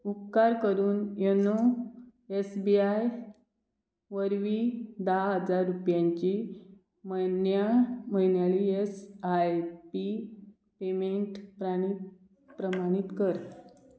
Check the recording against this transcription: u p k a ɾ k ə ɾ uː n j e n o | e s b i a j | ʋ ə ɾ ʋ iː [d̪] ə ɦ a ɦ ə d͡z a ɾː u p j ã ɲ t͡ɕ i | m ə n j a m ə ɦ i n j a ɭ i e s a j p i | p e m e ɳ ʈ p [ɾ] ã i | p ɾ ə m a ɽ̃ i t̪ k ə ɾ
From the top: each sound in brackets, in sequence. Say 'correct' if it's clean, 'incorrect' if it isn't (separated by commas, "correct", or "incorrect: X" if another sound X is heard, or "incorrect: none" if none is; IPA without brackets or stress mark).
correct, correct